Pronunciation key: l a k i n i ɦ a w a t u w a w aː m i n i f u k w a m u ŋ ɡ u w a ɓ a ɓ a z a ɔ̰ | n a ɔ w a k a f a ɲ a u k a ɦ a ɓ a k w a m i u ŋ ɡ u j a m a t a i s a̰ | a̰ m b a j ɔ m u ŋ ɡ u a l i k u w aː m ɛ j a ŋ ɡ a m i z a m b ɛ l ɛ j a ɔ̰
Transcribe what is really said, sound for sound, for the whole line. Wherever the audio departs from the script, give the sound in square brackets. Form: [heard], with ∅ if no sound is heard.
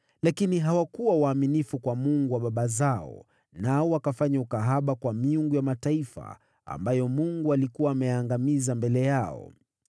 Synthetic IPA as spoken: l a k i n i ɦ a w a [k] u w a w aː m i n i f u k w a m u ŋ ɡ u w a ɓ a ɓ a z a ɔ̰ | n a ɔ w a k a f a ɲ a u k a ɦ a ɓ a k w a m i u ŋ ɡ u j a m a t a i [f] a̰ | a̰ m b a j ɔ m u ŋ ɡ u a l i k u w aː m ɛ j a ŋ ɡ a m i z a m b ɛ l ɛ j a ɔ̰